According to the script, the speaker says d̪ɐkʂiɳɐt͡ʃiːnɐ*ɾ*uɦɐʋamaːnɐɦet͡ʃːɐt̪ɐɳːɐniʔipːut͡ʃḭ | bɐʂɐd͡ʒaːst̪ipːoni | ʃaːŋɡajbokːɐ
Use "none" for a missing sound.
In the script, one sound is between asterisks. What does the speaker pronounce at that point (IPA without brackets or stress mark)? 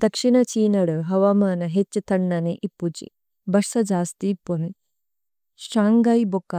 ɽ